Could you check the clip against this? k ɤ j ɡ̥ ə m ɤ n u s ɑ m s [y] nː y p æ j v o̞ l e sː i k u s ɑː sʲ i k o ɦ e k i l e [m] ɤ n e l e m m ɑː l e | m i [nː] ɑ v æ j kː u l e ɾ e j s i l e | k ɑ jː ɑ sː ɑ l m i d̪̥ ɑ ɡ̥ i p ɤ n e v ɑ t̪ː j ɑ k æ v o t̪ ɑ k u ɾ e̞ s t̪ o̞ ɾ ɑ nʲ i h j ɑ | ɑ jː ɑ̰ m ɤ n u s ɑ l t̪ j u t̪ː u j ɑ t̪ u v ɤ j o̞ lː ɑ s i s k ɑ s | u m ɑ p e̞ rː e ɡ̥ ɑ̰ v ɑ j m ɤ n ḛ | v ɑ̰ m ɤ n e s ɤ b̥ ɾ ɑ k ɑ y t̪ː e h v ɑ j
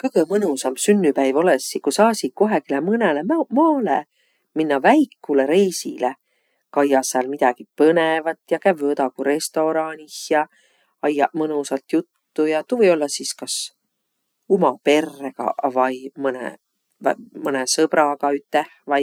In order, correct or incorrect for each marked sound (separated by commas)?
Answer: correct, correct, correct